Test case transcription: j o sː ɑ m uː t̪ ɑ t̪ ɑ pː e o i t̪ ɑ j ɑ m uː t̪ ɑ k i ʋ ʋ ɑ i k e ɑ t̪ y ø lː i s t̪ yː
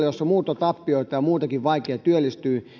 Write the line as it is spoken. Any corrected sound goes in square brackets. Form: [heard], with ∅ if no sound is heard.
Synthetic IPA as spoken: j o sː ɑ m uː t̪ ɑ t̪ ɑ pː [i] o i t̪ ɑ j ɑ m uː t̪ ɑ k i ʋ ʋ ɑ i k e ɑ t̪ y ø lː i s t̪ yː